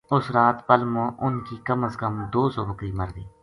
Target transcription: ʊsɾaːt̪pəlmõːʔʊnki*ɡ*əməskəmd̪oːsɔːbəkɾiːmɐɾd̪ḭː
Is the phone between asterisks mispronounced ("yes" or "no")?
yes